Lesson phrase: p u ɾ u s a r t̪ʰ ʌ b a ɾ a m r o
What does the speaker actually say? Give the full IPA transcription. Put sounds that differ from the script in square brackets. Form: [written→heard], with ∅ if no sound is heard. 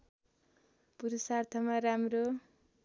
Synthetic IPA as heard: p u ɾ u s a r t̪ʰ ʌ [b→m] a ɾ a m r o